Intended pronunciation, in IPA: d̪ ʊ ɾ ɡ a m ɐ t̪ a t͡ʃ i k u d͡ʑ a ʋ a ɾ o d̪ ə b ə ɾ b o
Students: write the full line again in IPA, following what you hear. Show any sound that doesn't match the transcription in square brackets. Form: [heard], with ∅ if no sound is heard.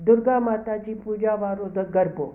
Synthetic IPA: d̪ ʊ ɾ ɡ a m [a] t̪ a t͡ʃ i [p] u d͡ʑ a ʋ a ɾ o d̪ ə [ɡ] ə ɾ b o